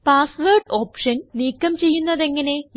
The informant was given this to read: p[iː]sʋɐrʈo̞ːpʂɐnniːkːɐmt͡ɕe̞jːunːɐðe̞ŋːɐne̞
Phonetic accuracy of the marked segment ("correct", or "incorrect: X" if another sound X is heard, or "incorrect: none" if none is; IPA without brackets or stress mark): incorrect: aː